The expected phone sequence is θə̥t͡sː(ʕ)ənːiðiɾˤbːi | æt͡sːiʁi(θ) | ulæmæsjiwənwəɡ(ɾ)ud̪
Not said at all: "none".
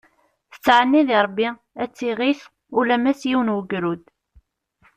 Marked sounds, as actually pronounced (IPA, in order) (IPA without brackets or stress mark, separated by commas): ʕ, θ, ɾ